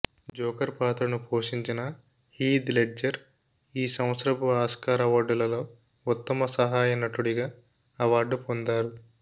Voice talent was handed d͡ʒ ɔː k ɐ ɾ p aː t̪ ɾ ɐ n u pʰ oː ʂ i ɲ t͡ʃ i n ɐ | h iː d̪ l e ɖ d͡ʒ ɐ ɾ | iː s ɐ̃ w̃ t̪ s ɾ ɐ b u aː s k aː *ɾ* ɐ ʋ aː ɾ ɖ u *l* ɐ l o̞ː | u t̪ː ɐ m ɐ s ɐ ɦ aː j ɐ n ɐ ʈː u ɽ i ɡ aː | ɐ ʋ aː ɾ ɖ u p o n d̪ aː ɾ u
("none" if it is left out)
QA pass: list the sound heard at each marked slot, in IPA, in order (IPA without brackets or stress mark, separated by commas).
ɾ, l